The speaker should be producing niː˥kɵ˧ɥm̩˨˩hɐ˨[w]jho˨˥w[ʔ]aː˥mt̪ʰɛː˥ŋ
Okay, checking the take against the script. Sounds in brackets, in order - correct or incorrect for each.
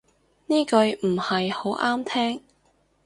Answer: incorrect: none, correct

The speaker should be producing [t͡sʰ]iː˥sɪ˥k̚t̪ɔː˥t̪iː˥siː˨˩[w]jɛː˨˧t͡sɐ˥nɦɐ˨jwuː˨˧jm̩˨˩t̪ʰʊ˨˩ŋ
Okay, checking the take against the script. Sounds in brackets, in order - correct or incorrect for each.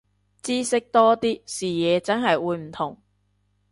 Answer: incorrect: t͡s, incorrect: none

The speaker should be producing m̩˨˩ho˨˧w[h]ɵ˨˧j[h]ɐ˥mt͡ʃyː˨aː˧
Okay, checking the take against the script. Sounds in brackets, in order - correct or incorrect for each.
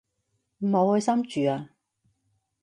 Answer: correct, incorrect: s

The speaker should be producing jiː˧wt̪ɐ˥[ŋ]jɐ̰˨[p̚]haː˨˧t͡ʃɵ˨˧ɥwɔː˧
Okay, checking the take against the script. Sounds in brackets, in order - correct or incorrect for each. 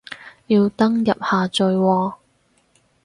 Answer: correct, correct

